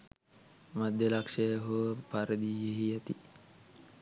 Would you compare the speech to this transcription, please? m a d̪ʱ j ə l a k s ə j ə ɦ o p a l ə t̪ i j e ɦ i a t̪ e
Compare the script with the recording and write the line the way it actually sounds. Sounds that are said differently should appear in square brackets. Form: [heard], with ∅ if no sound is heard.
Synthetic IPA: m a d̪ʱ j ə l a k [ʂ] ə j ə ɦ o p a [ɾ] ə [d̪] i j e ɦ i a t̪ [i]